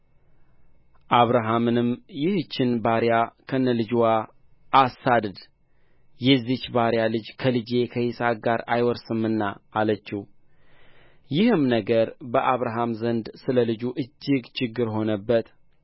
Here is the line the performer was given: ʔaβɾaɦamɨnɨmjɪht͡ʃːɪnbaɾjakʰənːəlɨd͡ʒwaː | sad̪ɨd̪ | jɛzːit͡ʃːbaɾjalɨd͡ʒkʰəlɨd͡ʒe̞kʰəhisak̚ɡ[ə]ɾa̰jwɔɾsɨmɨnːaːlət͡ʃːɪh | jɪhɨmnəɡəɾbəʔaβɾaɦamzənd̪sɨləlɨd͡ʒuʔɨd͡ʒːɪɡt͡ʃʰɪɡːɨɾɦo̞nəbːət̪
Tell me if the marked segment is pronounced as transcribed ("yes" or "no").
no